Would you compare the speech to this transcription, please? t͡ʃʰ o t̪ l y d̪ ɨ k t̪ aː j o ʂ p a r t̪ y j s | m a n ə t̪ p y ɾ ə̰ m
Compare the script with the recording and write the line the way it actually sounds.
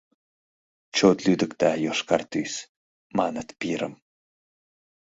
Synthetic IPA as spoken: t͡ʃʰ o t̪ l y d̪ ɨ k t̪ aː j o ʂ k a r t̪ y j s | m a n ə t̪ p i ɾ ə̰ m